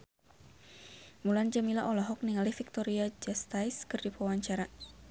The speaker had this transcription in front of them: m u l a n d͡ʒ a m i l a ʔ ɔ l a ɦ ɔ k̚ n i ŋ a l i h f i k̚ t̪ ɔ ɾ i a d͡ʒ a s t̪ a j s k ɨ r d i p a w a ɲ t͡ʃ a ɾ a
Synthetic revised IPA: m u l a n d͡ʒ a m i l a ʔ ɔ l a ɦ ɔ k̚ n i ŋ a l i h f i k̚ t̪ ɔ ɾ i a d͡ʒ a s t̪ a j s k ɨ r d i p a w a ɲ t͡ʃ a ɾ a